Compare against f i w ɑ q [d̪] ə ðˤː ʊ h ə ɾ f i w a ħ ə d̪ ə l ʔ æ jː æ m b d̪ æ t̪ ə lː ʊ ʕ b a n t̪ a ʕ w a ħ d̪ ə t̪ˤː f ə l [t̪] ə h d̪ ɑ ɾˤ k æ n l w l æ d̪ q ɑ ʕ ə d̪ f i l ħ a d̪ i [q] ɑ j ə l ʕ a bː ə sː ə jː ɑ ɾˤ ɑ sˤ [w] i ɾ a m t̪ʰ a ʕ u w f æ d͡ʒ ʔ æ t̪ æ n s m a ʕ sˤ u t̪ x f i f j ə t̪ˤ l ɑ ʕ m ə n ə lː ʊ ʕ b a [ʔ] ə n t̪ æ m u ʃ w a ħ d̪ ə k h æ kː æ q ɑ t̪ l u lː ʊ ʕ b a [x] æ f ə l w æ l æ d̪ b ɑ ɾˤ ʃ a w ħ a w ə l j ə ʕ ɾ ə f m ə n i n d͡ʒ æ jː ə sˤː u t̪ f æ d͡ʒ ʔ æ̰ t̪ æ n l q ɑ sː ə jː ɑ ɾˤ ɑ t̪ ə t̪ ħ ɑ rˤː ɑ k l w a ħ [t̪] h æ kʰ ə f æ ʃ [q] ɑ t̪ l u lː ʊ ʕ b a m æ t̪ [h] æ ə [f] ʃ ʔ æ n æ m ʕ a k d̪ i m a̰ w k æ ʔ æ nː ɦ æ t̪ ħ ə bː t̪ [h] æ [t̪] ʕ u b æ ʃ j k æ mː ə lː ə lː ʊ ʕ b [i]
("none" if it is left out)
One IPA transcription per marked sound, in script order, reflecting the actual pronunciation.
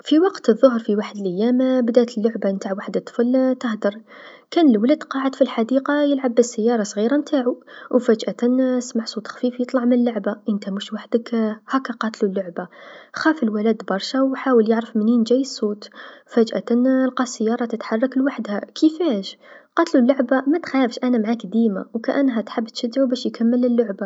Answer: t̪, t̪, q, ɣ, ʔ, x, d̪, q, x, f, ʃ, d̪, a

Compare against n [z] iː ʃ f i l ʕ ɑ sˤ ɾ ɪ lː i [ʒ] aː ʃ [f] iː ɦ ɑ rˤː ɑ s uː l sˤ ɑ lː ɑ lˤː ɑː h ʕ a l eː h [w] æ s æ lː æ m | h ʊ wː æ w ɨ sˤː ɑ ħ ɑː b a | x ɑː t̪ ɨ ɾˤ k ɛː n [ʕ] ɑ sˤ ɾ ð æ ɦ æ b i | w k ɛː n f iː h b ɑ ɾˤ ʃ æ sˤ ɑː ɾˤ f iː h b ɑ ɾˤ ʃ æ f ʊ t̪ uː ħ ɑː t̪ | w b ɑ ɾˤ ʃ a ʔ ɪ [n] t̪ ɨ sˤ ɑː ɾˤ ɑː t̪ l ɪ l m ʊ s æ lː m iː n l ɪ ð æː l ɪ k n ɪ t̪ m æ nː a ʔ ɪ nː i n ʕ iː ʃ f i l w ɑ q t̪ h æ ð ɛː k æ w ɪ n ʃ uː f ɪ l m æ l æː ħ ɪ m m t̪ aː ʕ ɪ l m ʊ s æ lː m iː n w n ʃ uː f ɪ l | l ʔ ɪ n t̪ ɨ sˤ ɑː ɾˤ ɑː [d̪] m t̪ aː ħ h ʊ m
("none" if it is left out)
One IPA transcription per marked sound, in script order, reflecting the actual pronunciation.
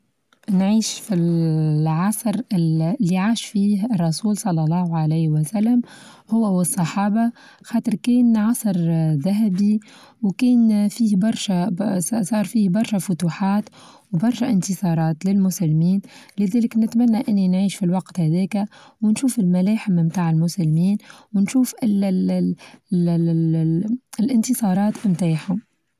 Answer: ʕ, ʕ, f, w, ʕ, n, t̪

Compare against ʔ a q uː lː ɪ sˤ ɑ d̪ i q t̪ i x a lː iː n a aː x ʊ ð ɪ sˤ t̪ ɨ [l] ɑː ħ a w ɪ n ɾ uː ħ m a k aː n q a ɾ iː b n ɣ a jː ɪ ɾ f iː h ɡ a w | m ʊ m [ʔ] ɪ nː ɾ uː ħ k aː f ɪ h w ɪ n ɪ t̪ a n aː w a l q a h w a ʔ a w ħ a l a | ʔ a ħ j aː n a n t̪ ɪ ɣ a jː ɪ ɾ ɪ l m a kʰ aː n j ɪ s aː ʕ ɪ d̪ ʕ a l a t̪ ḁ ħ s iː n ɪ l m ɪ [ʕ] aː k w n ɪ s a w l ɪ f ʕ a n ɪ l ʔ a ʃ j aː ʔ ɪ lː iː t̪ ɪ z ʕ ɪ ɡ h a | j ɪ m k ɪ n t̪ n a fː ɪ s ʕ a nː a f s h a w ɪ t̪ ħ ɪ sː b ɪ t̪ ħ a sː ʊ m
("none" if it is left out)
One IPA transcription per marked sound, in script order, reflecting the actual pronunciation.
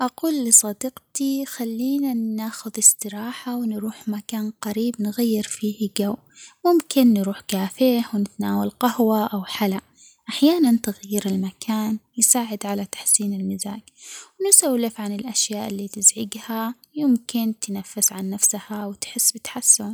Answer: ɾ, k, z

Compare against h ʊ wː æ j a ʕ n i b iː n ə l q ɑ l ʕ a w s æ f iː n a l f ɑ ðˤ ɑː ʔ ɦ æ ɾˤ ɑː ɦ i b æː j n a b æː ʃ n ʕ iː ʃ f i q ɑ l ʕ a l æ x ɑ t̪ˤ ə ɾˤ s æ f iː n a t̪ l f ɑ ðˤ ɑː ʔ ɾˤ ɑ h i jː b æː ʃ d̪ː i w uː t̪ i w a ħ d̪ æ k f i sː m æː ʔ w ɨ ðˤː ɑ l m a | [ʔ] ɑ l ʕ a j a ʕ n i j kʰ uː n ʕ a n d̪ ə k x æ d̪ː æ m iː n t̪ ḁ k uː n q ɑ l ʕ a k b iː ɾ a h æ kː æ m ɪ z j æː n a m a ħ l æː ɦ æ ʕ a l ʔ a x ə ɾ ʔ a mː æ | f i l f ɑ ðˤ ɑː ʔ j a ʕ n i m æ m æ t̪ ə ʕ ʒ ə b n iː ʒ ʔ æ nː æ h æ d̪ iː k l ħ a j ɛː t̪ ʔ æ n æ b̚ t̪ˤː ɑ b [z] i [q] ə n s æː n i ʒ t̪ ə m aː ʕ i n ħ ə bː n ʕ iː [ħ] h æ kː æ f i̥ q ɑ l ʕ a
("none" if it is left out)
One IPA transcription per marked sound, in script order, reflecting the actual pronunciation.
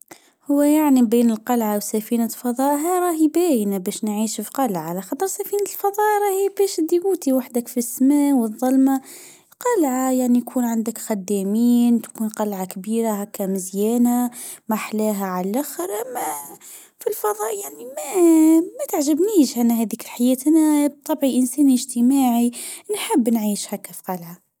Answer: q, ʕ, ʔ, ʃ

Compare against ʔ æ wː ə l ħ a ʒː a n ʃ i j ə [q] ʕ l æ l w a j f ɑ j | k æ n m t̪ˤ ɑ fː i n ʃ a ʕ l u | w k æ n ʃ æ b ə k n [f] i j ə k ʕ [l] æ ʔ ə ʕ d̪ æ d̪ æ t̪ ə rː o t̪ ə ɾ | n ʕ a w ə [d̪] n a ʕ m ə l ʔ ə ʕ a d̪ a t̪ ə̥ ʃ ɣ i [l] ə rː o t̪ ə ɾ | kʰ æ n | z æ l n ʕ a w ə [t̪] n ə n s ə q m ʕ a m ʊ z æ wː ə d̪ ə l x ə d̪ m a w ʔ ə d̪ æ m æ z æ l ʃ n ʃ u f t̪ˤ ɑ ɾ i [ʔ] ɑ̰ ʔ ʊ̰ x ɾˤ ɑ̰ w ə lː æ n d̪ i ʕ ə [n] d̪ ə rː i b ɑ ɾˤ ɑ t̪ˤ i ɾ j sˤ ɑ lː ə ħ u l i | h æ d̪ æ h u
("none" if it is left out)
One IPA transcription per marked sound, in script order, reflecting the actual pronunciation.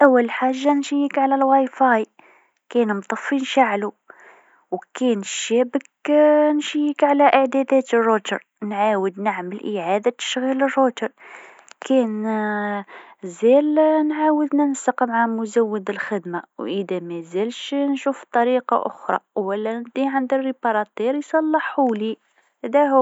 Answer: k, ʃ, l, d̪, l, d̪, q, n

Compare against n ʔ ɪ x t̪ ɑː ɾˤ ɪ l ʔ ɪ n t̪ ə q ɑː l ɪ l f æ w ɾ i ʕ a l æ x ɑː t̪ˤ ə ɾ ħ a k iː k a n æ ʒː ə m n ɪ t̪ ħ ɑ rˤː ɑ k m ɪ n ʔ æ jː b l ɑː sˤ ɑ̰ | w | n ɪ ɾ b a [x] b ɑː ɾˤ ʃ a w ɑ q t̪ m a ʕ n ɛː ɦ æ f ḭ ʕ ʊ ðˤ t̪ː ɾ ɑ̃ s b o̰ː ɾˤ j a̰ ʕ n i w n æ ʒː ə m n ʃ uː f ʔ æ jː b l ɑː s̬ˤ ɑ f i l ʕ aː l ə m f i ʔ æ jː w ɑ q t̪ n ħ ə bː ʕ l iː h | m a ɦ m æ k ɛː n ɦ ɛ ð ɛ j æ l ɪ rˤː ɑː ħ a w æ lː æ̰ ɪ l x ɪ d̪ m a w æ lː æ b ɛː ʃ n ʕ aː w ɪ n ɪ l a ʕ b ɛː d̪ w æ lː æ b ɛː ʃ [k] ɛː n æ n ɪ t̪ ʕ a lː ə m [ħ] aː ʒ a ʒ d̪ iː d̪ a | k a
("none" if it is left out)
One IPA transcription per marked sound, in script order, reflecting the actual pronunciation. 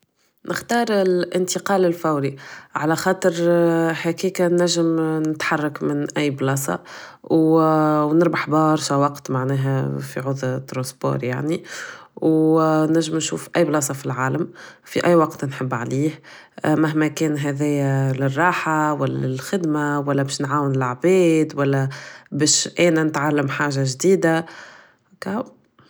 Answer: ħ, ʔ, ħ

